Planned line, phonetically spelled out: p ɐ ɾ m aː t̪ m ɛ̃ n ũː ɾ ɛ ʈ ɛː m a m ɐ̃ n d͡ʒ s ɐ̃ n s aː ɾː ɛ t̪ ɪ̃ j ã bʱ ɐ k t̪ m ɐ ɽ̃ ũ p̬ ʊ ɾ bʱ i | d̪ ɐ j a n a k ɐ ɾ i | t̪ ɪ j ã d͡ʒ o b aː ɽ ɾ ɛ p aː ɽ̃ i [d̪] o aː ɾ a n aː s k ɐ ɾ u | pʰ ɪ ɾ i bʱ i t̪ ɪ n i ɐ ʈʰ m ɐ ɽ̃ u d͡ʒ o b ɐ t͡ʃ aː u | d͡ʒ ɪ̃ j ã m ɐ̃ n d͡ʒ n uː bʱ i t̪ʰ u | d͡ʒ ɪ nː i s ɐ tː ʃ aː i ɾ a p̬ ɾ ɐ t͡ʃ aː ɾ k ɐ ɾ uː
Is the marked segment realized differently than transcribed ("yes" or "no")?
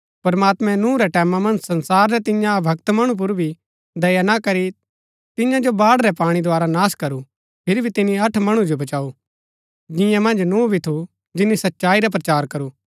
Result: no